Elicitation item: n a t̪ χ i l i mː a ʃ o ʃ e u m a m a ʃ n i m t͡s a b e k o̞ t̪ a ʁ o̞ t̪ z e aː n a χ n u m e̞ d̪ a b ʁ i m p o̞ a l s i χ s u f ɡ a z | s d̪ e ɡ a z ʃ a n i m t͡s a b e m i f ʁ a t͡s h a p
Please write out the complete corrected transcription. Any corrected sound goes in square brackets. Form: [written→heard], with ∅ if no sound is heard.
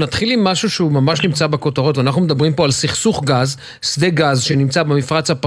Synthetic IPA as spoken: n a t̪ χ i l i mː a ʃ [o→u] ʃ e u m a m a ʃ n i m t͡s a b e k o̞ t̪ a ʁ o̞ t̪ [z→v] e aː n a χ n u m e̞ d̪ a b ʁ i m p o̞ a l s i χ s u [f→χ] ɡ a z | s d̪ e ɡ a z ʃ [a→e] n i m t͡s a b e m i f ʁ a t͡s h a p